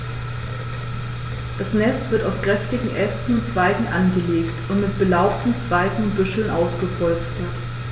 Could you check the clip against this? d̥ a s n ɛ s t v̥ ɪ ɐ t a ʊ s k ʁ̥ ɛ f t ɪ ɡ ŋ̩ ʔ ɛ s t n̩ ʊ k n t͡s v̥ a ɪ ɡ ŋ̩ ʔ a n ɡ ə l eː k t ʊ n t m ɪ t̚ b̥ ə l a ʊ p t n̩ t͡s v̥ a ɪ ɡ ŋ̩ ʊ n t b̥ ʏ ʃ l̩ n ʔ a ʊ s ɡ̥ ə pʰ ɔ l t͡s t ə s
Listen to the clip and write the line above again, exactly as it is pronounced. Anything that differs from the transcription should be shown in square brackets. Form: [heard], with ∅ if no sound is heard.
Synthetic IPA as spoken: d̥ a s n ɛ s t v̥ ɪ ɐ t a ʊ s k ʁ̥ ɛ f t ɪ ɡ ŋ̩ ʔ ɛ s t n̩ ʊ [∅] n t͡s v̥ a ɪ ɡ ŋ̩ ʔ a n ɡ ə l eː k t ʊ n t m ɪ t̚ b̥ ə l a ʊ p t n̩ t͡s v̥ a ɪ ɡ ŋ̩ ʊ n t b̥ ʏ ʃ l̩ n ʔ a ʊ s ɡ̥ ə pʰ ɔ l t͡s t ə [t]